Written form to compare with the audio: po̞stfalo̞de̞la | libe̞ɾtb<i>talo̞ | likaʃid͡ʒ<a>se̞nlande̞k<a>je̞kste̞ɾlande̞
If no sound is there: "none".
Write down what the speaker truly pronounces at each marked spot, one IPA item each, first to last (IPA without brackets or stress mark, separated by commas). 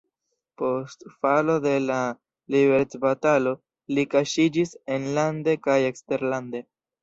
a, i, a